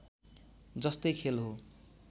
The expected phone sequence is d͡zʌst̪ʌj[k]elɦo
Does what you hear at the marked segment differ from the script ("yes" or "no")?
yes